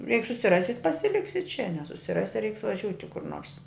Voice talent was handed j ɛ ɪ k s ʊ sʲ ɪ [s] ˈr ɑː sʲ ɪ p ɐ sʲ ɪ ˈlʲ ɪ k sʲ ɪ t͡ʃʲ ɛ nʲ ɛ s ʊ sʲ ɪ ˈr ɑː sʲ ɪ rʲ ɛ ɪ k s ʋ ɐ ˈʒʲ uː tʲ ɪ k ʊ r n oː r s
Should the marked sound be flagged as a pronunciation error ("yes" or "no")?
yes